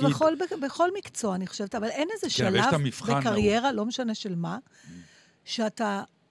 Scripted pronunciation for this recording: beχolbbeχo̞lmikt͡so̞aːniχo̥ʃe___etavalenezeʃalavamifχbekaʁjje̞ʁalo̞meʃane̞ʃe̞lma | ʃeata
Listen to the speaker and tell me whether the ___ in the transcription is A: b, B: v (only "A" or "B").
B